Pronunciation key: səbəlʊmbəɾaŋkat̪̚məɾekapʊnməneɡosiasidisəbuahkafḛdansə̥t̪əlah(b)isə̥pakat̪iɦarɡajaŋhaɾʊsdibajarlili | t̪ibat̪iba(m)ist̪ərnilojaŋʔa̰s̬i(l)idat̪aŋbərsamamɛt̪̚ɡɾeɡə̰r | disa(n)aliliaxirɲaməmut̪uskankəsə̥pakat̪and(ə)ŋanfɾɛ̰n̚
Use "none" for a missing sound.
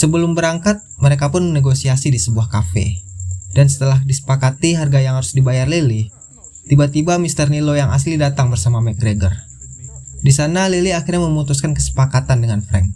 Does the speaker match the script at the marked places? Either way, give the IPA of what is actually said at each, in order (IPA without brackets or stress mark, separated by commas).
d, m, l, n, ə